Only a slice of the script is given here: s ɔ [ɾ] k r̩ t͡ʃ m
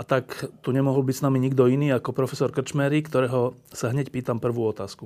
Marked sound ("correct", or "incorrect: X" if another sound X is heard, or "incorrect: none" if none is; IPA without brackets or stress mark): correct